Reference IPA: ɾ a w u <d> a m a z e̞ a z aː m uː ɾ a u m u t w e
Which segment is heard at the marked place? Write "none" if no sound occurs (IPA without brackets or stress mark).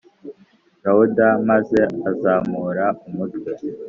d